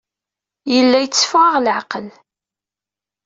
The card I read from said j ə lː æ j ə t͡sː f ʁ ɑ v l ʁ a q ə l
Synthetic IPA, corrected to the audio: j ə lː æ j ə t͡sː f ʁ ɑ ʁ l ʕ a q ə l